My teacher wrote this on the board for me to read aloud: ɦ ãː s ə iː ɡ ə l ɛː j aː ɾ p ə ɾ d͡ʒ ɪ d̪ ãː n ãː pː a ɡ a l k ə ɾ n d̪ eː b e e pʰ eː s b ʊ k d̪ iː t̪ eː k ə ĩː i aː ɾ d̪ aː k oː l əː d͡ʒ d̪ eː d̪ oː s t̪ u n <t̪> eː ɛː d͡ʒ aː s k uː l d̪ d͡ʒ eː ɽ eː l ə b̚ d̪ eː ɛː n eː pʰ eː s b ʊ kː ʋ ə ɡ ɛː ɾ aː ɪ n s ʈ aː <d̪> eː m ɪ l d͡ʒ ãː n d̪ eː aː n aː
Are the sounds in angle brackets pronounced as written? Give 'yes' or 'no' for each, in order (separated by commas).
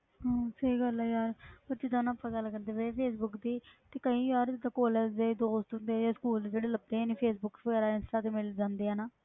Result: no, no